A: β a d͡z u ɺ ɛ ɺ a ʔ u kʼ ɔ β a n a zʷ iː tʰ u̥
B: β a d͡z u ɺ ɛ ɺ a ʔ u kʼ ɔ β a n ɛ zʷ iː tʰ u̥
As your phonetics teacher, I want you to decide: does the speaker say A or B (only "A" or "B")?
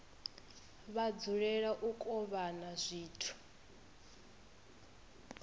A